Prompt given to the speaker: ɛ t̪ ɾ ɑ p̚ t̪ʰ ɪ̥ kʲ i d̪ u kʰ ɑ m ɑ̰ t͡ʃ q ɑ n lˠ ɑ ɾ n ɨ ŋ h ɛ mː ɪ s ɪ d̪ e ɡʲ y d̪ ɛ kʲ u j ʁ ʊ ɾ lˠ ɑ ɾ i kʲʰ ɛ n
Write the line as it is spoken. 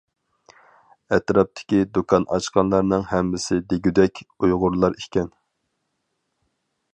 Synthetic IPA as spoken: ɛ t̪ ɾ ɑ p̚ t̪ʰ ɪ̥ kʲ i d̪ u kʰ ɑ n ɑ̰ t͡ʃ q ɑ n lˠ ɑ ɾ n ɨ ŋ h ɛ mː ɪ s ɪ d̪ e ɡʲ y d̪ ɛ kʲ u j ʁ ʊ ɾ lˠ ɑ ɾ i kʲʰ ɛ n

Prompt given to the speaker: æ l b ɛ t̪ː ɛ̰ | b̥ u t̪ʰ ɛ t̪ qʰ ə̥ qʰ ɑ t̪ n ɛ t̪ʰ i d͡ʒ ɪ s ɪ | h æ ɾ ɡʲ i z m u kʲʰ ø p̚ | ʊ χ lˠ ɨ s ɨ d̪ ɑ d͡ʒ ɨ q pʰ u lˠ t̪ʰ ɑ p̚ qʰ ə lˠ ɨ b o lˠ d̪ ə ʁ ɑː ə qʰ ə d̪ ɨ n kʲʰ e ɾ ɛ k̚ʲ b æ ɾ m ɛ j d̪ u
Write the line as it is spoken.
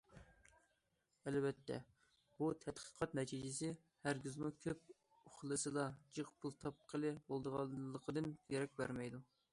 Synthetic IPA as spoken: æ l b ɛ t̪ː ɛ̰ | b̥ u t̪ʰ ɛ t̪ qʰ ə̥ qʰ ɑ t̪ n ɛ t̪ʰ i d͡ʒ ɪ s ɪ | h æ ɾ ɡʲ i z m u kʲʰ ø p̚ | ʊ χ lˠ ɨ s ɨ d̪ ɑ d͡ʒ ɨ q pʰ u lˠ t̪ʰ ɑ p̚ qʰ ə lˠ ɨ b o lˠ d̪ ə ʁ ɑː ə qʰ ə d̪ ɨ n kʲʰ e ɾ ɛ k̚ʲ b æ ɾ m ɛ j d̪ u

